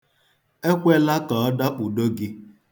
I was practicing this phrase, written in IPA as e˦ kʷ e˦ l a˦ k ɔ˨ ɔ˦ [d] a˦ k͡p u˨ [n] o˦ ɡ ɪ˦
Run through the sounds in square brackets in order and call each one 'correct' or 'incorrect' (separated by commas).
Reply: correct, incorrect